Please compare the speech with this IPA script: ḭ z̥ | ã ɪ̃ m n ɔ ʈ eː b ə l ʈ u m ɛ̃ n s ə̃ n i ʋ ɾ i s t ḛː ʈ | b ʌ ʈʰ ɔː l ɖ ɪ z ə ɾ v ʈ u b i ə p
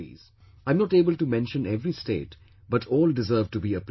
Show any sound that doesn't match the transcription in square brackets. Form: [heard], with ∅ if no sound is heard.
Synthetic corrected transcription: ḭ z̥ | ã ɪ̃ m n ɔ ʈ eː b ə l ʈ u m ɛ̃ n [ʃ] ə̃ n [ɛ] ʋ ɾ i s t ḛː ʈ | b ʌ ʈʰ ɔː l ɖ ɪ z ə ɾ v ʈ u b i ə p